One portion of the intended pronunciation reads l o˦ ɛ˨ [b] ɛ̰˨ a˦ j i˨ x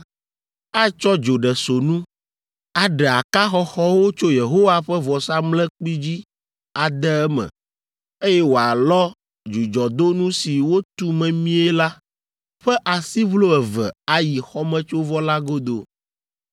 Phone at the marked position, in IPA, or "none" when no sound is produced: v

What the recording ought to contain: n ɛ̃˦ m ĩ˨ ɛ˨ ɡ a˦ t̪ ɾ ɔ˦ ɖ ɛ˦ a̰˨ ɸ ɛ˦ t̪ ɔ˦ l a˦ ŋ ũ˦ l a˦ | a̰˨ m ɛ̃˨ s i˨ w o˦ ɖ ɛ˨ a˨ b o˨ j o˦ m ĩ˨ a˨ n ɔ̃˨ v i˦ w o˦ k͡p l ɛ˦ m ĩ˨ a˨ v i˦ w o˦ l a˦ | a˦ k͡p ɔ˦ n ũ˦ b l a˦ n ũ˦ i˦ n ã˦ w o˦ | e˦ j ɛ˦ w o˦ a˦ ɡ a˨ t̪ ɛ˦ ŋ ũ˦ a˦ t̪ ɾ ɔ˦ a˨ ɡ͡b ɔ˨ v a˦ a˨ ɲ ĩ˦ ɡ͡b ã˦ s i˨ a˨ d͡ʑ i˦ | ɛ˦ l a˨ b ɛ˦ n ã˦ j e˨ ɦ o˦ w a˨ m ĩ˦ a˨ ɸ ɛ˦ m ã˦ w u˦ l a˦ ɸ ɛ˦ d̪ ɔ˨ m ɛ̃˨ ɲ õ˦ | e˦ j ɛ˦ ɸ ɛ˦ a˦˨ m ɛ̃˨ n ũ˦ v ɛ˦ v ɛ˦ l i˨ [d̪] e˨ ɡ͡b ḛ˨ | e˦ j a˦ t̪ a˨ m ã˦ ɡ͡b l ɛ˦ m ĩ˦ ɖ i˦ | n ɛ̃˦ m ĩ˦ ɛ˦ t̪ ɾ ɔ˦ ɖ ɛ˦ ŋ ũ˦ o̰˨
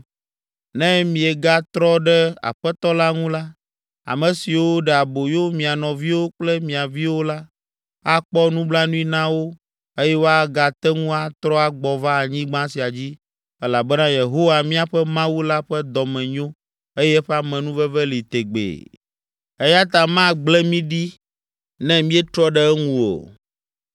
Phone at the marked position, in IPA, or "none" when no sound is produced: t̪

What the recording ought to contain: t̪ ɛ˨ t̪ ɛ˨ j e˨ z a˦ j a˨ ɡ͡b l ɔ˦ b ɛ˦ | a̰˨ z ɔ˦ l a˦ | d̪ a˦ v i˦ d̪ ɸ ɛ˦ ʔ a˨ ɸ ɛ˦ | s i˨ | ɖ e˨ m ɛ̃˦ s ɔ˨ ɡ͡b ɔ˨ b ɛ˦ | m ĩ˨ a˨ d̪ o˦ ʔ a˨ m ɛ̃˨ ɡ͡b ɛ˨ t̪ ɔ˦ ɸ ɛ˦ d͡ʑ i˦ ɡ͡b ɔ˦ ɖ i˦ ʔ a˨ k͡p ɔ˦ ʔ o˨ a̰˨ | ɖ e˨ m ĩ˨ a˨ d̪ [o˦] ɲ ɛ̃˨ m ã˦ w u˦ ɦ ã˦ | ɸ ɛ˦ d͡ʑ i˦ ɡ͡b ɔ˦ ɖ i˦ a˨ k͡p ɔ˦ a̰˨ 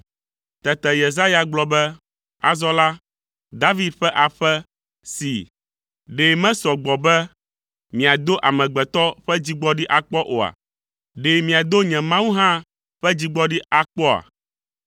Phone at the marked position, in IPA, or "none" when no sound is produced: o˦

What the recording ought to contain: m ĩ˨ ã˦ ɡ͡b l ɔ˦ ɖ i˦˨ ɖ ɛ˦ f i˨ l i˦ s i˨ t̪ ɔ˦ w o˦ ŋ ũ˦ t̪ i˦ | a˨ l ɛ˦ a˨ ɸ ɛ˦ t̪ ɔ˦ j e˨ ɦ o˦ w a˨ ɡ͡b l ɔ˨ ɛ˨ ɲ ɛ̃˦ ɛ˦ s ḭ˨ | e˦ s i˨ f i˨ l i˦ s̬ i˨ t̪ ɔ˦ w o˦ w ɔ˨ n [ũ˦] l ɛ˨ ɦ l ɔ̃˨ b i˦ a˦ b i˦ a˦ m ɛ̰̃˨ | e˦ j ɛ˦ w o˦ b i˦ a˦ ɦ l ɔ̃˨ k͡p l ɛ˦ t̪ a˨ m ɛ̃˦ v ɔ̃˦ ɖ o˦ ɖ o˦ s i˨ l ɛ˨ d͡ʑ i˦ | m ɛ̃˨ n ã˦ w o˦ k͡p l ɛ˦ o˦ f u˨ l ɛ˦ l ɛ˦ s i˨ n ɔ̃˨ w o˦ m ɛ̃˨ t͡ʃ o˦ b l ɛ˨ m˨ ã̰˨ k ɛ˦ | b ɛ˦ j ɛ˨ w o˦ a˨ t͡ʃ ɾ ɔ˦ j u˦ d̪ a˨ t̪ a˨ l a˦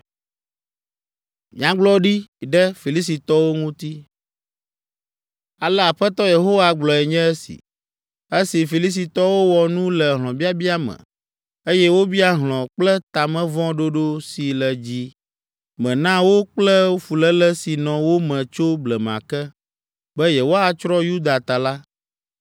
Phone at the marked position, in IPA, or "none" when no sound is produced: ũ˦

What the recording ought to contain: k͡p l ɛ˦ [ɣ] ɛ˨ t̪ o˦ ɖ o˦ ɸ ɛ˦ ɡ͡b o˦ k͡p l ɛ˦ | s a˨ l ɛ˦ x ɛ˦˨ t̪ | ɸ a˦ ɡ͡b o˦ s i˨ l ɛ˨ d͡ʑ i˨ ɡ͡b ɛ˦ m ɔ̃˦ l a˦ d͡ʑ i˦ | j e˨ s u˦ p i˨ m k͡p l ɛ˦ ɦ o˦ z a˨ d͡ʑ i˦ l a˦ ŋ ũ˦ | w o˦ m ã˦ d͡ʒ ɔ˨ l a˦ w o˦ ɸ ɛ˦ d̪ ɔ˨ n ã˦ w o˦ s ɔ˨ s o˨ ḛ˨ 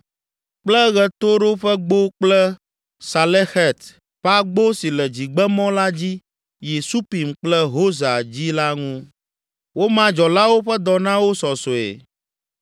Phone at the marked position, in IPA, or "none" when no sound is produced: ɣ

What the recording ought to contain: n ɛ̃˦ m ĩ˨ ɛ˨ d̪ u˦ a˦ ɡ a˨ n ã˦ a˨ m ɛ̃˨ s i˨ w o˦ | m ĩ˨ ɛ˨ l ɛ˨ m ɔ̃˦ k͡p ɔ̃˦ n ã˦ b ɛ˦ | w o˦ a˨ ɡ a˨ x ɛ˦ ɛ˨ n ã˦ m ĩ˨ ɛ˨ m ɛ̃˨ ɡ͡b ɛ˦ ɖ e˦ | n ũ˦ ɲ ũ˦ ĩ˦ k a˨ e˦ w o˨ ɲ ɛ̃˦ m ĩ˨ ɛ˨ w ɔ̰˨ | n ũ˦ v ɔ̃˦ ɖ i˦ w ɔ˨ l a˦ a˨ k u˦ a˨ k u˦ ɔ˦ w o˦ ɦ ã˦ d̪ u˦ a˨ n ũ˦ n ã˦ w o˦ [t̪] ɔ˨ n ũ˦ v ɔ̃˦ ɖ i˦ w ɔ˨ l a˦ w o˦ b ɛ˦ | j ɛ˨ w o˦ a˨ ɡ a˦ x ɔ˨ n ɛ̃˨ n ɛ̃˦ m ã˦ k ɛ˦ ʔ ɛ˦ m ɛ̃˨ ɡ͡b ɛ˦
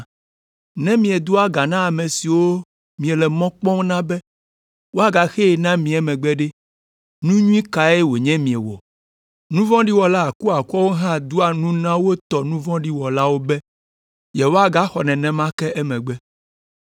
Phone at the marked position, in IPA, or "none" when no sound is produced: t̪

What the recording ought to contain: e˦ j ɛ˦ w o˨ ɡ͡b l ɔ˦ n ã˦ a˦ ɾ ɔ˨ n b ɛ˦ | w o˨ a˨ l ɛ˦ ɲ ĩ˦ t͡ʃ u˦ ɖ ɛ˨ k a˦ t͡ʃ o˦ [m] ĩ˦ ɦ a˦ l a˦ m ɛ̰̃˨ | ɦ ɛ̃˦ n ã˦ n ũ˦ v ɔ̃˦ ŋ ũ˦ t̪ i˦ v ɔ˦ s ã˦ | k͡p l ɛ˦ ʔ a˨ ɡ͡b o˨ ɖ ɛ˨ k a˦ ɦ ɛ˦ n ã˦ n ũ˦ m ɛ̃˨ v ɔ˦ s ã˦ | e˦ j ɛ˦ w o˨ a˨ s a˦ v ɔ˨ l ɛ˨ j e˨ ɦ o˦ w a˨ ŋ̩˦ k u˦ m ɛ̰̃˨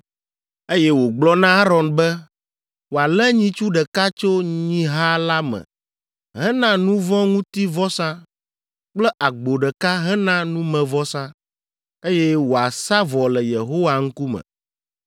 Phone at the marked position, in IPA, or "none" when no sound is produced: ɲ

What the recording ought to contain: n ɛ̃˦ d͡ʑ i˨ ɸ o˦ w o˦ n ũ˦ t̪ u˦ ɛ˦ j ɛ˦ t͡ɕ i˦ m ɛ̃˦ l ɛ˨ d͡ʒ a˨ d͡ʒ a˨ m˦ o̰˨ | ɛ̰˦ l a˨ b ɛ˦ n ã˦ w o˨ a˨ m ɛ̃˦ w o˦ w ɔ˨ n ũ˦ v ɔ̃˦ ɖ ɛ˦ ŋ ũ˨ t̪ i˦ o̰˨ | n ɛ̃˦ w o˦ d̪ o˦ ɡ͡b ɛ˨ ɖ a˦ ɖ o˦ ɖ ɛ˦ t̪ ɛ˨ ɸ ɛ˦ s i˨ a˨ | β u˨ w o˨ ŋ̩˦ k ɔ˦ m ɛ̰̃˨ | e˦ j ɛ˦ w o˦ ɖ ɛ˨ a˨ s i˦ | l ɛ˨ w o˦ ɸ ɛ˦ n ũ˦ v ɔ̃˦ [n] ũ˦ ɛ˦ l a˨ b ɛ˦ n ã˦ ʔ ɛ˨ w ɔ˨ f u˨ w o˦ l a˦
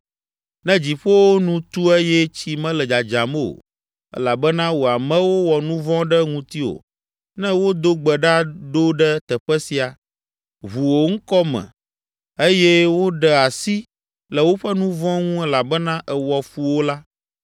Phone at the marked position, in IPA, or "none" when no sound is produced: ŋ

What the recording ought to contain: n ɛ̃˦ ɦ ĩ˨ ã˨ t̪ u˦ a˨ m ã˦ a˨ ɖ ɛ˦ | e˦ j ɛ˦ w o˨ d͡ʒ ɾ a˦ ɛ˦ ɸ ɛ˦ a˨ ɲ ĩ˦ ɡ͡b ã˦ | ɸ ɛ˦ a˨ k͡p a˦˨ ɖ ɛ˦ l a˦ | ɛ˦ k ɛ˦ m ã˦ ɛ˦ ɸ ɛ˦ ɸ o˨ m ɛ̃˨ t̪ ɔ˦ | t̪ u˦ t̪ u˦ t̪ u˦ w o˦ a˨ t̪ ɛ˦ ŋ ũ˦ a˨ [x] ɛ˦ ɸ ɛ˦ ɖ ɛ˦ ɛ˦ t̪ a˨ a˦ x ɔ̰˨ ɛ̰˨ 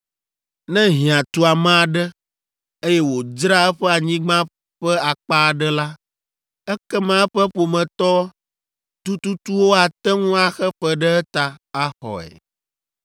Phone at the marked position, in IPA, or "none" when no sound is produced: x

